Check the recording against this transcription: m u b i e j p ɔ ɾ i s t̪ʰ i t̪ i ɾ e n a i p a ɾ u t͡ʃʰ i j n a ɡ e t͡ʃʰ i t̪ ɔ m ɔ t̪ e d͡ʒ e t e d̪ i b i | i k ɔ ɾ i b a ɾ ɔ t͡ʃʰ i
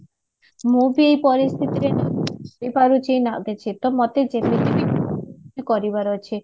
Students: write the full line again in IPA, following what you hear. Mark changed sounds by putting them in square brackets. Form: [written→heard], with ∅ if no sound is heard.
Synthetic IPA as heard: m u b i e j p ɔ ɾ i s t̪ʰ i t̪ i ɾ e n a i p a ɾ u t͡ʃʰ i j n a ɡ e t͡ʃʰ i t̪ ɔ m ɔ t̪ e d͡ʒ e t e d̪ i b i | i k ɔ ɾ i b a ɾ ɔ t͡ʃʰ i